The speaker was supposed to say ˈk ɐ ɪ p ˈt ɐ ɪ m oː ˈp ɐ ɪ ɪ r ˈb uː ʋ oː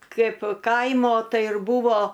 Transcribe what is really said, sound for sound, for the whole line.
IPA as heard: ˈk ɐ ɪ p ˈk ɐ ɪ m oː ˈt ɐ ɪ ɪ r ˈb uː ʋ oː